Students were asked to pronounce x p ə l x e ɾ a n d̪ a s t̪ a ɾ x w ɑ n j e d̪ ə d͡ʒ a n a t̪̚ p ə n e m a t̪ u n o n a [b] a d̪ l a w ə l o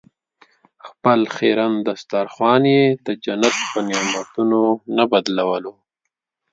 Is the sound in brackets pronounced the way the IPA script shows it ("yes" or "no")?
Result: yes